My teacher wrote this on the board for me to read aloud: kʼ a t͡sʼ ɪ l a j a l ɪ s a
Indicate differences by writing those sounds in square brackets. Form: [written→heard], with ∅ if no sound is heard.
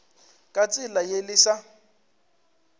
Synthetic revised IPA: kʼ a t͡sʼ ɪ l a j [a→e] l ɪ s a